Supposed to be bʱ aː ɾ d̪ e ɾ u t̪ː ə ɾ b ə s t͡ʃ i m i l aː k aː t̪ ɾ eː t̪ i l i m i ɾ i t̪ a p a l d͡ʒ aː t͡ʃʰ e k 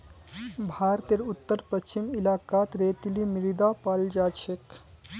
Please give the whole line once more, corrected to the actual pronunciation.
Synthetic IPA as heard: bʱ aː ɾ t̪ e ɾ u t̪ː ə ɾ p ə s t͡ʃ i m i l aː k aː t̪ ɾ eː t̪ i l i m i ɾ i d̪ a p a l d͡ʒ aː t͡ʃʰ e k